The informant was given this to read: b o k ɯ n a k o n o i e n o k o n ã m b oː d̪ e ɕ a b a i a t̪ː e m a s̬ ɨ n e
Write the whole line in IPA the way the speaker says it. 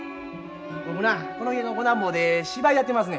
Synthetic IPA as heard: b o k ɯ n a k o n o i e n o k o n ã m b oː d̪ e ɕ i b a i a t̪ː e m a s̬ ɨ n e